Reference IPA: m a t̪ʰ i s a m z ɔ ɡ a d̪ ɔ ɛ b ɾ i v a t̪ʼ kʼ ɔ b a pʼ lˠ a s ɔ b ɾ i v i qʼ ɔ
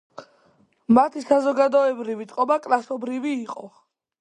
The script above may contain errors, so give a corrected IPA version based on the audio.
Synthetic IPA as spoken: m a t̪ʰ i s a z ɔ ɡ a d̪ ɔ ɛ b ɾ i v i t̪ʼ qʼ ɔ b a kʼ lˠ a s ɔ b ɾ i v iː qʼ ɔ